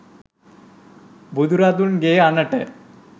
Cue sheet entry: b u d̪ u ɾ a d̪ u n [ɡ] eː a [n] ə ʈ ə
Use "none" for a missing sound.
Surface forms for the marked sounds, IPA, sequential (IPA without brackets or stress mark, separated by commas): ɡ, n